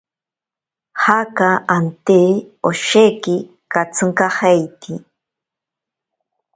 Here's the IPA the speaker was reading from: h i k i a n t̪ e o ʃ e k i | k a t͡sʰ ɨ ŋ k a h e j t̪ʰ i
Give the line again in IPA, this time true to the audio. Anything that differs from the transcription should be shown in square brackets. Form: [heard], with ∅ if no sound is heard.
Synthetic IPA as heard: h [a] k [a] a n t̪ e o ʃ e k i | k a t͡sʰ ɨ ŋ k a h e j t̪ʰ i

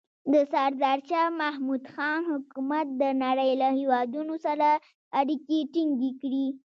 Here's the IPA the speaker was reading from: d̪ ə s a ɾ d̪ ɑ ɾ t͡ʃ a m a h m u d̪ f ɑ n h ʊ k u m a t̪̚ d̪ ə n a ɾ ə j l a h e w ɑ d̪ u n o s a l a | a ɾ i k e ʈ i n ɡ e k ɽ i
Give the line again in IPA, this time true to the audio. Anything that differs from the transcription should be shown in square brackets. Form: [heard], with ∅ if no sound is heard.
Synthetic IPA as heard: d̪ ə s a ɾ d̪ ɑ ɾ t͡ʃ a m a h m u d̪ [x] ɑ n h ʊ k u m a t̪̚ d̪ ə n a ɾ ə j l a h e w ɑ d̪ u n o s a [ɾ] a | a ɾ i k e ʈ i [ŋ] ɡ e k ɽ i

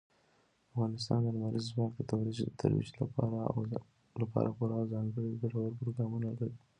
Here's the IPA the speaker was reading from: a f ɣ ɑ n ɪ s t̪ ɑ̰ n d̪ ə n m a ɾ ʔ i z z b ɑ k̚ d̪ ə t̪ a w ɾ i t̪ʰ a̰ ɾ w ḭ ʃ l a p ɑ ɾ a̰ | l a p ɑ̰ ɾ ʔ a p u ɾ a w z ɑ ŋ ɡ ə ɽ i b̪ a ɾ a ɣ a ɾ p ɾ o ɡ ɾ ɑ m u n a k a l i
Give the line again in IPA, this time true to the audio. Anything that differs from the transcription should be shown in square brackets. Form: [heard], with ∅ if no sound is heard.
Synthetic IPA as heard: a f ɣ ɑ n ɪ s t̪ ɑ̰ n d̪ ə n m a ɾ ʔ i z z [w] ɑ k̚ d̪ ə t̪ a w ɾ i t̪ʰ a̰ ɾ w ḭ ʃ l a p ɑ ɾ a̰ | l a p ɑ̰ ɾ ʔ a p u ɾ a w z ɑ ŋ ɡ ə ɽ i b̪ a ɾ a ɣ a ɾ p ɾ o ɡ ɾ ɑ m u n a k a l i

